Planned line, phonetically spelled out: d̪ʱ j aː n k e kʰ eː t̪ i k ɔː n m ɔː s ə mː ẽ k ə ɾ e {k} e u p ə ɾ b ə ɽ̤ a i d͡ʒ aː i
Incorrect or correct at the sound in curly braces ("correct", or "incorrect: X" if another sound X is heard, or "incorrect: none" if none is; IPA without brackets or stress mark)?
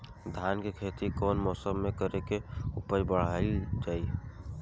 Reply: correct